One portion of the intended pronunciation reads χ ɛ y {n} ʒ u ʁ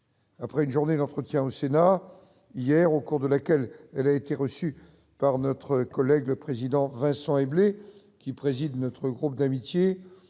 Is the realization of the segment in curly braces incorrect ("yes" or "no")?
no